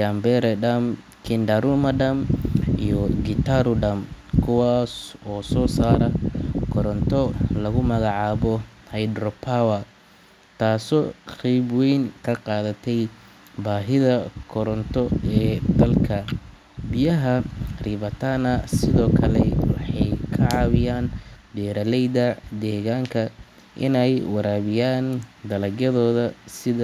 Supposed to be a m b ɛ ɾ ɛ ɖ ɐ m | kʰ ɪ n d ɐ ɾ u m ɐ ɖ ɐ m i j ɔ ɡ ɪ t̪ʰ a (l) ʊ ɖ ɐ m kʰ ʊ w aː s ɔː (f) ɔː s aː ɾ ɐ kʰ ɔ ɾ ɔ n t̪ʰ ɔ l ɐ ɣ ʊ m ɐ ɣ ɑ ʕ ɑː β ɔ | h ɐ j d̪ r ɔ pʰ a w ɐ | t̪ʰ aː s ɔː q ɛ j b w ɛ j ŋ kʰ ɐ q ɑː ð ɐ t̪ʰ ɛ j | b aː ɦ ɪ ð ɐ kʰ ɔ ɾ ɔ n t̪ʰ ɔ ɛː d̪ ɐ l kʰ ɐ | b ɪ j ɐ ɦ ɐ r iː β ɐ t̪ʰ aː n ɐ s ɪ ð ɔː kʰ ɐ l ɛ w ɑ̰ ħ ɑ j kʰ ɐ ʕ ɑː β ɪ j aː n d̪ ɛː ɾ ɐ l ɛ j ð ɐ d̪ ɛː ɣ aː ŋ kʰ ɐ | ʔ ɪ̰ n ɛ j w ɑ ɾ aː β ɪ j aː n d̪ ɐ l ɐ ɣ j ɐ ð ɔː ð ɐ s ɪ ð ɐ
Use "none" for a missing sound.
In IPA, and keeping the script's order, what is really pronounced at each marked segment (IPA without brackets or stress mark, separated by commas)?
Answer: ɾ, s